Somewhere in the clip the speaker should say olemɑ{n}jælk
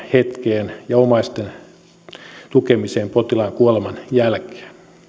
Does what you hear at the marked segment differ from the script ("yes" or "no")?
no